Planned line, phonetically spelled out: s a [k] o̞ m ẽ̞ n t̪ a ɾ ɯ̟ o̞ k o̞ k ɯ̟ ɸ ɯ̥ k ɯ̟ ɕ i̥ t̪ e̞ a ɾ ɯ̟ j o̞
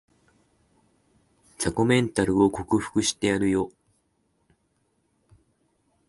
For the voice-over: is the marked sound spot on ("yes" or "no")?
yes